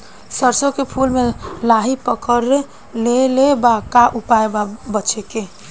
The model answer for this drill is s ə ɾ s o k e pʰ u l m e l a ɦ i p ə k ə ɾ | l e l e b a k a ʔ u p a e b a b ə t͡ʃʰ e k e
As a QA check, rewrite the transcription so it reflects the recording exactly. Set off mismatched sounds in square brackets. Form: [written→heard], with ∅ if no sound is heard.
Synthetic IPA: s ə ɾ s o k e pʰ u l m e l a ɦ i p ə k ə ɾ | l e l e b a k a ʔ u p a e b a b ə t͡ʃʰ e k e